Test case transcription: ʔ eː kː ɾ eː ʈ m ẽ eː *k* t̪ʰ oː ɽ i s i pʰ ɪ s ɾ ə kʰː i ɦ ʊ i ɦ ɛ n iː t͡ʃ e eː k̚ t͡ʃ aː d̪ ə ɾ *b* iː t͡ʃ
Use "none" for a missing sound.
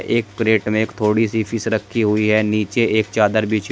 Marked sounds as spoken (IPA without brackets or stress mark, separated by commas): k, b